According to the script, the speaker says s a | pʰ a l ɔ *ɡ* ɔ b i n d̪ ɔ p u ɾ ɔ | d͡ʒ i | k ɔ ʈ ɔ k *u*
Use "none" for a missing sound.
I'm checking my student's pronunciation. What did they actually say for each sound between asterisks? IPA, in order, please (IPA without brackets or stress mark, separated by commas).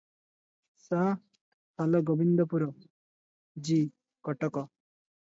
ɡ, ɔ